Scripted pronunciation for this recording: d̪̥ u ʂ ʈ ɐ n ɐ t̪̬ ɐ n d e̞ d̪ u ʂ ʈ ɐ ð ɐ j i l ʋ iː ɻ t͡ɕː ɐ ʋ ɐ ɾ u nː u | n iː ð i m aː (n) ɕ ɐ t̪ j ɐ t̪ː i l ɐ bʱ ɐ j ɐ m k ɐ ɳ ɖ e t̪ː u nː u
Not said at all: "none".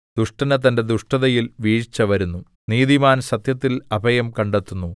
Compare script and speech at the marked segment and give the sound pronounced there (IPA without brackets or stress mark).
n